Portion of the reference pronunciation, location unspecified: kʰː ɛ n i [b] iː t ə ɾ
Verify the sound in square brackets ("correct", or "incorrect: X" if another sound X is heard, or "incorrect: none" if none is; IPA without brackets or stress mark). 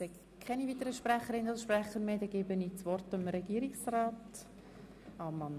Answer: incorrect: v